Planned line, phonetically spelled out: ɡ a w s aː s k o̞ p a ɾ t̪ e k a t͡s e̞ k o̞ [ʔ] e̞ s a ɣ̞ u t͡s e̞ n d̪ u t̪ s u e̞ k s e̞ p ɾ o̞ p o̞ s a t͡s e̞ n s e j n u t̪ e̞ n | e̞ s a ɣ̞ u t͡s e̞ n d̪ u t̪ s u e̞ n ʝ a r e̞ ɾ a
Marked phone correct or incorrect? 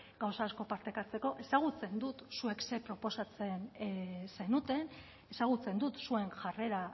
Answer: correct